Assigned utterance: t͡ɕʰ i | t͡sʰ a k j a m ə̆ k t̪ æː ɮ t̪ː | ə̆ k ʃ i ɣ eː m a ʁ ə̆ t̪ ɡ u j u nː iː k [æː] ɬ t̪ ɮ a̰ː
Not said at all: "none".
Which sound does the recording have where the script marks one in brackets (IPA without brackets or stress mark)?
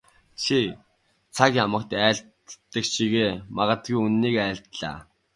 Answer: æː